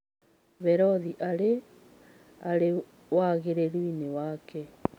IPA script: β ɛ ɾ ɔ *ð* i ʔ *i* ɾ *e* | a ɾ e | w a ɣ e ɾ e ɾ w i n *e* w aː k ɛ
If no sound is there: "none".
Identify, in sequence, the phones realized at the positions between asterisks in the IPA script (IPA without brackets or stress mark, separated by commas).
ð, a, e, e